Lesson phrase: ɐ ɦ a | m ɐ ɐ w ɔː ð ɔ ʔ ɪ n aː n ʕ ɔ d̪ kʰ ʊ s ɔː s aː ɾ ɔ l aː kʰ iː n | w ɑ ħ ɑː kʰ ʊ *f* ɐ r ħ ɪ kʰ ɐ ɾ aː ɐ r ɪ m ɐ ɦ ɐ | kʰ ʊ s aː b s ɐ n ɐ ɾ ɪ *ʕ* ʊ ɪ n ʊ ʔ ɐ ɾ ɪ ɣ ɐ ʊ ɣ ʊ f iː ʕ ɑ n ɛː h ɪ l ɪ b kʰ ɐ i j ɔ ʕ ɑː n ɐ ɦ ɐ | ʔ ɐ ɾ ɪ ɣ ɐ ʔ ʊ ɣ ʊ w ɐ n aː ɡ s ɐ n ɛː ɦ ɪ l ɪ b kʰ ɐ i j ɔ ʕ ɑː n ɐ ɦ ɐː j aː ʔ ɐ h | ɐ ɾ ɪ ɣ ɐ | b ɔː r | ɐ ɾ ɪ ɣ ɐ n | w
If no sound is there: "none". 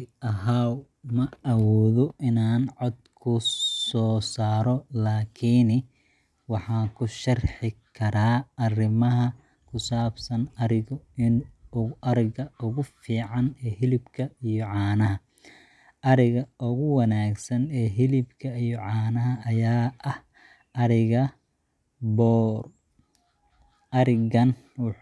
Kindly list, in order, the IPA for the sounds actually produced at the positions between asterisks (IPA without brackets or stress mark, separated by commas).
ʃ, ɣ